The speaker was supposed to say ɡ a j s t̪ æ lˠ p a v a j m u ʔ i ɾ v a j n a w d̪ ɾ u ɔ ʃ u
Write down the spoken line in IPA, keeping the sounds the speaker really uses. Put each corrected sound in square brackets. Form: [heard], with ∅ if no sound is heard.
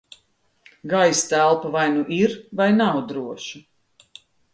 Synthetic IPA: ɡ a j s t̪ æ lˠ p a v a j [n] u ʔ i ɾ v a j n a w d̪ ɾ u ɔ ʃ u